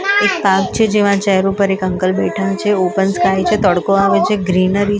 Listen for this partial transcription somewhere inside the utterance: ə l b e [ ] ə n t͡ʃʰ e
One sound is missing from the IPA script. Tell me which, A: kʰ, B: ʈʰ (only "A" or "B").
B